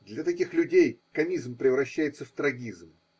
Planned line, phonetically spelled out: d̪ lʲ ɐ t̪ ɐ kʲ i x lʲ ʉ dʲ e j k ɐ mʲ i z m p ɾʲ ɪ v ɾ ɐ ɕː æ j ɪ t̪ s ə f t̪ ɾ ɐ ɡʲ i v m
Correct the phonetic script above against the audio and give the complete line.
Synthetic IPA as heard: d̪ lʲ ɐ t̪ ɐ kʲ i x lʲ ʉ dʲ e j k ɐ mʲ i z m p ɾʲ ɪ v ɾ ɐ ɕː æ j ɪ t̪ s ə f t̪ ɾ ɐ ɡʲ i z m